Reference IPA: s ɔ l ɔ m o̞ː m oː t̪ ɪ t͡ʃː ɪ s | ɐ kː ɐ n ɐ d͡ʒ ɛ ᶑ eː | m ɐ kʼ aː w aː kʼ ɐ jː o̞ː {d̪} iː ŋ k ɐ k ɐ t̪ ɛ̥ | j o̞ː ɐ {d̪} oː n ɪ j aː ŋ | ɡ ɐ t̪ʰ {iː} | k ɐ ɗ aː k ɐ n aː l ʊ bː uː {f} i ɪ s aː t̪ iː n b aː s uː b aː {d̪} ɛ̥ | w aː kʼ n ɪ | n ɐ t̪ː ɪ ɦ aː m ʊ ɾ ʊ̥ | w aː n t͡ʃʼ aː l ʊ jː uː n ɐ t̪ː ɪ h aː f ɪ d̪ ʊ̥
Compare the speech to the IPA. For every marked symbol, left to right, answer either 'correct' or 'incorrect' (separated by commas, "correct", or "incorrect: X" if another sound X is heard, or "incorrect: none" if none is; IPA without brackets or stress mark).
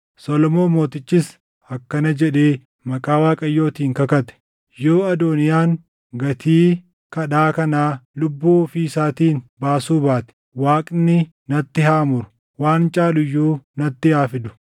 incorrect: t̪, correct, correct, correct, incorrect: t̪